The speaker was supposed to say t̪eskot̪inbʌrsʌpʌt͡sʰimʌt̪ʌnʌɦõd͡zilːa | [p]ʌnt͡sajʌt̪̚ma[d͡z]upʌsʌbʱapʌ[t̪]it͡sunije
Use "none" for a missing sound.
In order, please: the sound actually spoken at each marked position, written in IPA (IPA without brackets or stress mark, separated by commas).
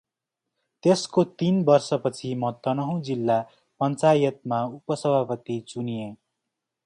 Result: p, none, t̪